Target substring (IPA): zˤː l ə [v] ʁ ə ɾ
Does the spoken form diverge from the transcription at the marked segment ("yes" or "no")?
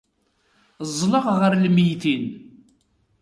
yes